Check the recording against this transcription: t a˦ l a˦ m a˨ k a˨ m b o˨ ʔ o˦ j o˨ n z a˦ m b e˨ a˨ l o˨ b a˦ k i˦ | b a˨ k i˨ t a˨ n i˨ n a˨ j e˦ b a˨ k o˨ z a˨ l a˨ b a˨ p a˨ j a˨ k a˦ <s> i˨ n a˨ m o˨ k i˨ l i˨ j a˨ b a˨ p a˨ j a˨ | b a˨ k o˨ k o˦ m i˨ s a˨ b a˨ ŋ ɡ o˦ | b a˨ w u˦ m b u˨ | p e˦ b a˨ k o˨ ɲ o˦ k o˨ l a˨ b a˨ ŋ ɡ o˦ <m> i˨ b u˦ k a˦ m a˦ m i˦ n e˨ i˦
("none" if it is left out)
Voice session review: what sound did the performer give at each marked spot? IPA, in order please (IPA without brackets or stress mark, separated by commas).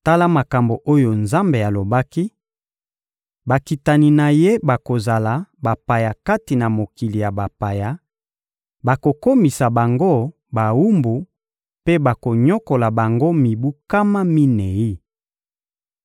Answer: t, m